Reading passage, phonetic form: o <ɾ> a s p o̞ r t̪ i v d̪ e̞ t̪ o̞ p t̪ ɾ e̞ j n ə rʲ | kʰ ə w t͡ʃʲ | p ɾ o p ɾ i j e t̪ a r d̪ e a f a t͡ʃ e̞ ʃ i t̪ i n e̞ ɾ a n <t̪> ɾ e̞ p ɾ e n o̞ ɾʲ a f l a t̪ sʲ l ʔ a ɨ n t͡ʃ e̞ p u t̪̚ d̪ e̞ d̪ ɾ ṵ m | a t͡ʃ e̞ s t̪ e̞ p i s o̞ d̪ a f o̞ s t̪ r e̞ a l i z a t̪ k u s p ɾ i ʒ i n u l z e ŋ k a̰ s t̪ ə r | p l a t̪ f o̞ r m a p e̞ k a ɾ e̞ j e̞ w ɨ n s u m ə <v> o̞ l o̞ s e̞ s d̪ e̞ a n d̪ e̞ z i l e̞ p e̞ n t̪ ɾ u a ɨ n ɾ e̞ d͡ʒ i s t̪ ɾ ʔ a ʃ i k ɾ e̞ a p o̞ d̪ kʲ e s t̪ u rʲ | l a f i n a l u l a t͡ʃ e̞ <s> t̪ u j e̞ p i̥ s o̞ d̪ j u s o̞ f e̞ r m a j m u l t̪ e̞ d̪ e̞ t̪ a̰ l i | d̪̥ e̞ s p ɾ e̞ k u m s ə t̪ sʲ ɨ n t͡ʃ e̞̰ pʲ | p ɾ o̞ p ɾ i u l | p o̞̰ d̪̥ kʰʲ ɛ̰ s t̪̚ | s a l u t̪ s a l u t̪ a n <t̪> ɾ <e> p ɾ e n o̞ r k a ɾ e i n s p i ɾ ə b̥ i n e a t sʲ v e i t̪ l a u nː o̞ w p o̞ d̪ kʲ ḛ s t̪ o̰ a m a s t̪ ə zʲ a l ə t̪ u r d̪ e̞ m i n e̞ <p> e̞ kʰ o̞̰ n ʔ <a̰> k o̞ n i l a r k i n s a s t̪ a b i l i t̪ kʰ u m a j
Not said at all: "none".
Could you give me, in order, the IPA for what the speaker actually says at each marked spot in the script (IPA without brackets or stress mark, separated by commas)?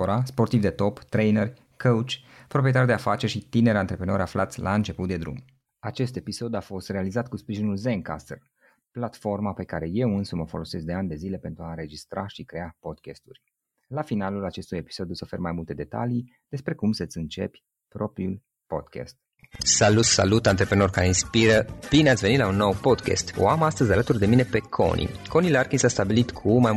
ɾ, t̪, f, s, t̪, e, p, ḭ